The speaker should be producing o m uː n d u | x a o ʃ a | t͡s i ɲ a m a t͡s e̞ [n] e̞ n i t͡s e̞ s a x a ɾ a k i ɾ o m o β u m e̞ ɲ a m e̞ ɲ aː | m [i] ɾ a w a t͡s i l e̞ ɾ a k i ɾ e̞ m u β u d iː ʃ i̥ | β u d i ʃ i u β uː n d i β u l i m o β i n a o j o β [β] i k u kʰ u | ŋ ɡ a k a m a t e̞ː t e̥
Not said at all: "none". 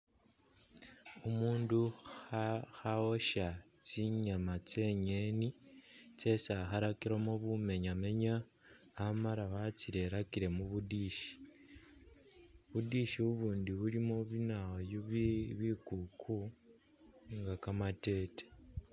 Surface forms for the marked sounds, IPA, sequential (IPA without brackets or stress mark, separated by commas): ɲ, a, β